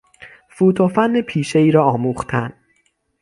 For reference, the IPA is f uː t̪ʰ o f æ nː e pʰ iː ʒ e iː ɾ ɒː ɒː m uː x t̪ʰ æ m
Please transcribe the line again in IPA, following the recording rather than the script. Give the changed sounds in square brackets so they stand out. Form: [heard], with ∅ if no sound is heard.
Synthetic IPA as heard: f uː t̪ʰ o f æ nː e pʰ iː [ʃ] e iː ɾ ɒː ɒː m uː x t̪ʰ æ [n]